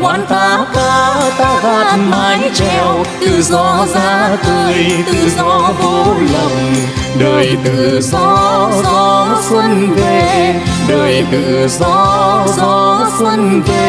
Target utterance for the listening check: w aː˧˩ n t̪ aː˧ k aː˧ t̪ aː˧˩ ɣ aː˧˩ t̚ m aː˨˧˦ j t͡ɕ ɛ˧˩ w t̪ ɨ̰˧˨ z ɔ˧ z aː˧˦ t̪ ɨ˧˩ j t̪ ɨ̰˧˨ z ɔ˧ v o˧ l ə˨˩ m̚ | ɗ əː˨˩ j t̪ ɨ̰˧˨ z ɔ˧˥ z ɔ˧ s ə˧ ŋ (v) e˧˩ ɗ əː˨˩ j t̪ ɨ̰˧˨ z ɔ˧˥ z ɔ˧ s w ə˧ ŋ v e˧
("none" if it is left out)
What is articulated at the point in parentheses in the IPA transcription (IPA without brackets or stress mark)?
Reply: v